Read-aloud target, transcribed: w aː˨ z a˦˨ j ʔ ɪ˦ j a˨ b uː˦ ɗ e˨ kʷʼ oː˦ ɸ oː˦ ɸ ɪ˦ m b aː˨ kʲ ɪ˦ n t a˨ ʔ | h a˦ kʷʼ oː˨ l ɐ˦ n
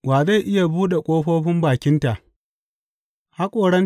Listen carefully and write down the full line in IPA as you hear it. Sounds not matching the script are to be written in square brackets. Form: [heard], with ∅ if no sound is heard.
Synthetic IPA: w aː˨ z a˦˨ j ʔ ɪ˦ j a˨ b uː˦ ɗ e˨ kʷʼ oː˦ ɸ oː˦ ɸ ɪ˦ m b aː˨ kʲ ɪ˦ n t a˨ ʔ | h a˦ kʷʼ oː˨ [ɽ] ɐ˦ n